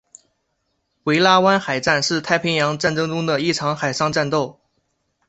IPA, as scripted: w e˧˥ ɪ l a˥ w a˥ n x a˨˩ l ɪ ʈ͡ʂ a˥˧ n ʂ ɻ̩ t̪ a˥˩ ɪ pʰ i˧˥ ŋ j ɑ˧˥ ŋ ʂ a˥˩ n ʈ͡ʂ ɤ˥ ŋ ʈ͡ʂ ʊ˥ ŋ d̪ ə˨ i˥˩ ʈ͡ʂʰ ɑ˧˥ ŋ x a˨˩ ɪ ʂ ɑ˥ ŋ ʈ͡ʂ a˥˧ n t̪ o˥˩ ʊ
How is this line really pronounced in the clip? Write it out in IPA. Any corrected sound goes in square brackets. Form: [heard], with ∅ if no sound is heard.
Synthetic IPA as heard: w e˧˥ ɪ l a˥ w a˥ n x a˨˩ [∅] ɪ ʈ͡ʂ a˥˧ n ʂ ɻ̩ [t̪ʰ] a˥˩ ɪ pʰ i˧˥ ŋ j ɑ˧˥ ŋ [ʈ͡ʂ] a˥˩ n ʈ͡ʂ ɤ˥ ŋ ʈ͡ʂ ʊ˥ ŋ d̪ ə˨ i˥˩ ʈ͡ʂʰ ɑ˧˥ ŋ x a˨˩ ɪ ʂ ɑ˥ ŋ ʈ͡ʂ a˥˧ n t̪ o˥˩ ʊ